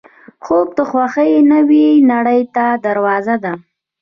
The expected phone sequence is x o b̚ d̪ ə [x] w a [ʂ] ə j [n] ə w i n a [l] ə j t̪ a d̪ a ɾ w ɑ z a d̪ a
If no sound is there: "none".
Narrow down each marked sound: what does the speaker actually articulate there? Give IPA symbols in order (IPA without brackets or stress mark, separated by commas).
x, x, n, ɽ